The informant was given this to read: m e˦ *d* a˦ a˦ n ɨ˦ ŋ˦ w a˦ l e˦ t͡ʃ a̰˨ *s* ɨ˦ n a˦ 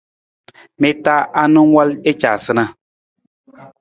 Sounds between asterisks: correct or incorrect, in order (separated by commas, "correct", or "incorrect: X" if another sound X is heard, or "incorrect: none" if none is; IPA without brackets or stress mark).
incorrect: t, correct